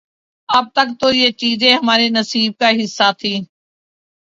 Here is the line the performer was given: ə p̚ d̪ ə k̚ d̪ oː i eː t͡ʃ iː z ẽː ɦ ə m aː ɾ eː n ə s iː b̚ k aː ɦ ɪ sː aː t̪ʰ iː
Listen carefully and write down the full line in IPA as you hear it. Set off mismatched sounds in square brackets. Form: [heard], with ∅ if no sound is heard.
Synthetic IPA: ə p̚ [t̪] ə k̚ [t̪] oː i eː t͡ʃ iː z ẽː ɦ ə m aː ɾ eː n ə s iː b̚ k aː ɦ ɪ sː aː t̪ʰ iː